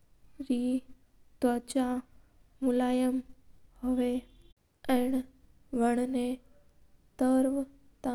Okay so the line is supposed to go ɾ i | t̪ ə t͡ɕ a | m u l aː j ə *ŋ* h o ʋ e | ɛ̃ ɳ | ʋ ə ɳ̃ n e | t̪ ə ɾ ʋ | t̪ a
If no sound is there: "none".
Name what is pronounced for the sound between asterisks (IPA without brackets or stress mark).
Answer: m